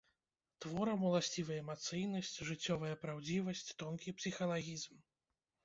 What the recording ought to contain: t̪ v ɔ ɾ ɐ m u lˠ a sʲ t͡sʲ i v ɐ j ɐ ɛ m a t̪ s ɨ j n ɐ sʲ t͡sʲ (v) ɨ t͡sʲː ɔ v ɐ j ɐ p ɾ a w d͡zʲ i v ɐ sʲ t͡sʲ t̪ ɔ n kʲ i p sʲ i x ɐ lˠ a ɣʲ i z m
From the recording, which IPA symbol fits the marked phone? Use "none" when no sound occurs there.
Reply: ʐ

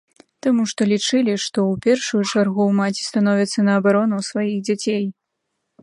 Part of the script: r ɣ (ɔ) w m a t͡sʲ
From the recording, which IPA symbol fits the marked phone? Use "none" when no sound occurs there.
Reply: u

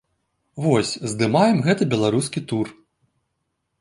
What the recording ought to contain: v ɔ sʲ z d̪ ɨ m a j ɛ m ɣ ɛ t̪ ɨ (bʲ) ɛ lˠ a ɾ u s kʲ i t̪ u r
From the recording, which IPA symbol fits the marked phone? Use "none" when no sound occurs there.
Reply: bʲ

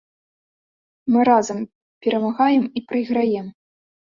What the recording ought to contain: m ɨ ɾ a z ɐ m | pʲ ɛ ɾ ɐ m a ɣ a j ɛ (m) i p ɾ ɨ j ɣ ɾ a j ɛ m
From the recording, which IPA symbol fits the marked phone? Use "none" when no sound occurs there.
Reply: m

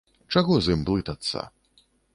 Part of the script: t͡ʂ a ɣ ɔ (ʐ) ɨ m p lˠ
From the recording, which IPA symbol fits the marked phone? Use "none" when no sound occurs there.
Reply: z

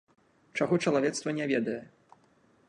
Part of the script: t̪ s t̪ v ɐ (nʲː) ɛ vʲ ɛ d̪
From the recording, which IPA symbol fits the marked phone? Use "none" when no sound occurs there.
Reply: nʲ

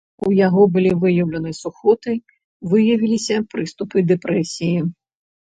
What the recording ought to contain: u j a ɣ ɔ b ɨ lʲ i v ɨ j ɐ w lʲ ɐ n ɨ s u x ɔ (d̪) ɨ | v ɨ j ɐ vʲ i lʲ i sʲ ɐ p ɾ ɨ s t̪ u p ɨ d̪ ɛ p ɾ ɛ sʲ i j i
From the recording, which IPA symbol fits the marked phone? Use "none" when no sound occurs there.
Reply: t̪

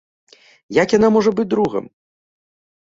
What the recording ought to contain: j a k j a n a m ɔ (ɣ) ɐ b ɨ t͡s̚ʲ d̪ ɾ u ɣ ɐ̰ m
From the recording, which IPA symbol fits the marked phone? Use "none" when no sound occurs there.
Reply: ʐ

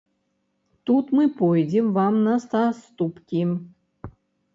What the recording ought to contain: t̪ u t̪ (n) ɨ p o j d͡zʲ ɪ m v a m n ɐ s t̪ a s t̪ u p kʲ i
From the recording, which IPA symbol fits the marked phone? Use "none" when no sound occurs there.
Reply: m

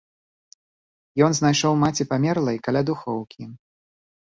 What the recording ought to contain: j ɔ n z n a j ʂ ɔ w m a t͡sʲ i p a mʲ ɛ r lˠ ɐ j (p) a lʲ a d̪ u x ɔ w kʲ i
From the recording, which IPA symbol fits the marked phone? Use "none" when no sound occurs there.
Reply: k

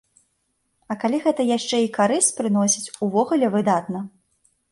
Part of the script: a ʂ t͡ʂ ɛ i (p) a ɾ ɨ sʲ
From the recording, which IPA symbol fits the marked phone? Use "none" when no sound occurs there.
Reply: k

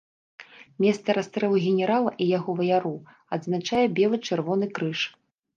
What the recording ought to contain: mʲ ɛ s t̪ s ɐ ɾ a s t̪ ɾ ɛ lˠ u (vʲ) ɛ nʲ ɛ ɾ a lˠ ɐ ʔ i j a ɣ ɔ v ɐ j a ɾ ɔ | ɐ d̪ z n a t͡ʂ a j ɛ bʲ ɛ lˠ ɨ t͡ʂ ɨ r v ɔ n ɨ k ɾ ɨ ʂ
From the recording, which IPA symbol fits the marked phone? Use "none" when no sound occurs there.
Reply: ɣʲ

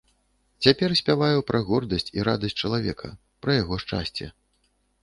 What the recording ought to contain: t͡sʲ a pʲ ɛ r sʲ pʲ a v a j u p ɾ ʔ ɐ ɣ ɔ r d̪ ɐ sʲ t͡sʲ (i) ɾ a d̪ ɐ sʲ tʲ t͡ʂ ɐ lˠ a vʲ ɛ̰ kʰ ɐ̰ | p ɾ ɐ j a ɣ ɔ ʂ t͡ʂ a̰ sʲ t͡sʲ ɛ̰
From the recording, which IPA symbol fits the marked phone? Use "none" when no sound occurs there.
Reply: i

